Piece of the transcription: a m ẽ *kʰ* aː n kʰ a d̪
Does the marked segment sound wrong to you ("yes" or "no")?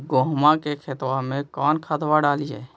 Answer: yes